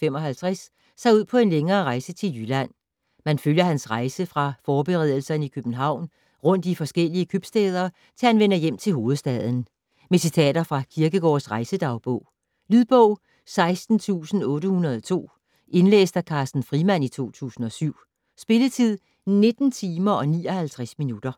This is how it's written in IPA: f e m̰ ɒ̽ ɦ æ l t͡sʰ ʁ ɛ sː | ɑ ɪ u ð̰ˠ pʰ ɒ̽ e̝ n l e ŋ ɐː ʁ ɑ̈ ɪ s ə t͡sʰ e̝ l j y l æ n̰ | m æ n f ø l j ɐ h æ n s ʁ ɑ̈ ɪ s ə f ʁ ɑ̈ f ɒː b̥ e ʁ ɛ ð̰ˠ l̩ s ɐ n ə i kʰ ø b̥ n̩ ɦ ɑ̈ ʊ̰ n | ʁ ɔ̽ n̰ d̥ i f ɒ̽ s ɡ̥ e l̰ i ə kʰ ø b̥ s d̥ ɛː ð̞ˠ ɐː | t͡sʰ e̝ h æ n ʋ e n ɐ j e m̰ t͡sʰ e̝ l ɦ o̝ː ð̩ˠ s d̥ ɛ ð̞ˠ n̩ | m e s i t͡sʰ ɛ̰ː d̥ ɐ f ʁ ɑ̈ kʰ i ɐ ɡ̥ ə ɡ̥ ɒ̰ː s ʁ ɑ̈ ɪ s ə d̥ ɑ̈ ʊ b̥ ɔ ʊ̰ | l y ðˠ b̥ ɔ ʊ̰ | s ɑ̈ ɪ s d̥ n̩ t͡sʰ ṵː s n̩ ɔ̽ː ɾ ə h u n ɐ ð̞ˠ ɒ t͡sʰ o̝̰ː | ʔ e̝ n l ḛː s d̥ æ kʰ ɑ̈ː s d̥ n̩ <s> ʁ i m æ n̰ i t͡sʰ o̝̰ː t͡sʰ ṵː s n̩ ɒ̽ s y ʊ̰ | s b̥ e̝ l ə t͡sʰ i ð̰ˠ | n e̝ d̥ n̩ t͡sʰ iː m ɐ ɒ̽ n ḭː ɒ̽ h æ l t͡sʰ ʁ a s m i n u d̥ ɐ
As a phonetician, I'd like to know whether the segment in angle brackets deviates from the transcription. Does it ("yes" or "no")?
yes